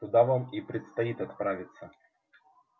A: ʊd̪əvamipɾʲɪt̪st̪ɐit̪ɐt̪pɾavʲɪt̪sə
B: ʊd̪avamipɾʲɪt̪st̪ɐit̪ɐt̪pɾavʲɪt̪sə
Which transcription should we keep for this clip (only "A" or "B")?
B